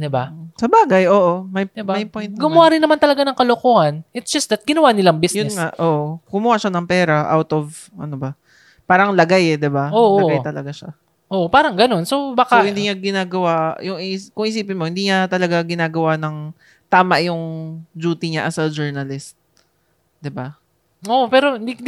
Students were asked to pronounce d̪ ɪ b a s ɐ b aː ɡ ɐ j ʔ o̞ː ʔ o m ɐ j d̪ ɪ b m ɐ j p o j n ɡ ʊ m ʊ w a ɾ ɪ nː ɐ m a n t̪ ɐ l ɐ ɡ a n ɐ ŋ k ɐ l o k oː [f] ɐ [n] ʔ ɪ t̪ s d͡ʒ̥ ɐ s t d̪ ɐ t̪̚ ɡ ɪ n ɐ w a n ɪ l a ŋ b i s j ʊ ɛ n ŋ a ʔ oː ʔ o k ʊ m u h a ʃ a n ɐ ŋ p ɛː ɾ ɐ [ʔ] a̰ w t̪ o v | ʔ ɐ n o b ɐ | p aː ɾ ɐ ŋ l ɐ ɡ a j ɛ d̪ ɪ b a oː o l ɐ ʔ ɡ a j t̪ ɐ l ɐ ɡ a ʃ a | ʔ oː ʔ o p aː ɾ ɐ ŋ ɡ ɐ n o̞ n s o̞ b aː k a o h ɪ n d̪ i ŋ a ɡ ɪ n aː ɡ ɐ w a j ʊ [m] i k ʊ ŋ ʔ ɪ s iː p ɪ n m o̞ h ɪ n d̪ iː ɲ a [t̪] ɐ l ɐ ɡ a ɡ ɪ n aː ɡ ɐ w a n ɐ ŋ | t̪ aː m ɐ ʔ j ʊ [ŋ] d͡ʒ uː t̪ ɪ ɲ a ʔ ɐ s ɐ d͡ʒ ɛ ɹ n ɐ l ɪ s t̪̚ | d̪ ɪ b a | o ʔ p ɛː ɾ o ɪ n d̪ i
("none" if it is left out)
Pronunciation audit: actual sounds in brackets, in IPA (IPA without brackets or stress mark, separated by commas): h, n, ʔ, ŋ, t̪, ŋ